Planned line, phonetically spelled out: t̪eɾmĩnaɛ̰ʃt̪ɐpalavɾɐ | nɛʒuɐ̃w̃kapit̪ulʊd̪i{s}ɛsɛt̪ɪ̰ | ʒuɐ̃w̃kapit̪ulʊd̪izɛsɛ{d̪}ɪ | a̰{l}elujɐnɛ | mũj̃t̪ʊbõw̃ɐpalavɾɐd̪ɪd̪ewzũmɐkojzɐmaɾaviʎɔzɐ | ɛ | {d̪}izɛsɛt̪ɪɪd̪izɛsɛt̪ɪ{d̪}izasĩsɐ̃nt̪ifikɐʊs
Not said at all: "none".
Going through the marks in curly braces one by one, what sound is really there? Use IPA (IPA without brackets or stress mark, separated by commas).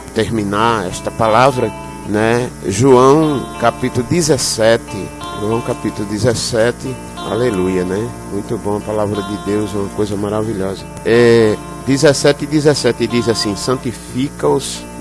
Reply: z, t̪, l, d̪, d̪